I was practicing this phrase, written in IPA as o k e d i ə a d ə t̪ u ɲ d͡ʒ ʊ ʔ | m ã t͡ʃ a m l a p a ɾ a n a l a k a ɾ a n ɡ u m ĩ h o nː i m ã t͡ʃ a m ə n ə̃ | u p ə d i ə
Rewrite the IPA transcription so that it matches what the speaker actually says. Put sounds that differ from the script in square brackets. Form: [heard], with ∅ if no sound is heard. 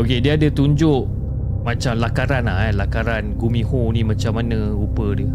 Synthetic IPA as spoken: o k e d i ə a d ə t̪ u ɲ d͡ʒ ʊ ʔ | m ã t͡ʃ a m l a [k] a ɾ a n a l a k a ɾ a n ɡ u m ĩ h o [n] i m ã t͡ʃ a m [a] n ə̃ | u p ə d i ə